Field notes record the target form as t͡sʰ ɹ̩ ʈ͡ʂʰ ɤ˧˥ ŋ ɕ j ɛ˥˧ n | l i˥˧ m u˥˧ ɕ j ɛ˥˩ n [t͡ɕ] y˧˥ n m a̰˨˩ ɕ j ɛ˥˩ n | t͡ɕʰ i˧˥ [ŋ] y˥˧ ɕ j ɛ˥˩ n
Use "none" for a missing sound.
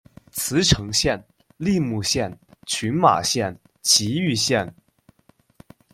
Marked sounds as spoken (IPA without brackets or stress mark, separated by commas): t͡ɕʰ, none